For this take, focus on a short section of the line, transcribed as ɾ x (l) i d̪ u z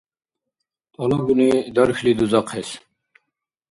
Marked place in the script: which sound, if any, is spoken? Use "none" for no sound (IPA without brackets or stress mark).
l